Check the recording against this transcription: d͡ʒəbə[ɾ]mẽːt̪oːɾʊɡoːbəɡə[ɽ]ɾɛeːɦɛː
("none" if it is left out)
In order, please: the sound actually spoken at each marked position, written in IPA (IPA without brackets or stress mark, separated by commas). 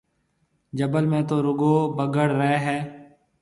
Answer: l, ɽ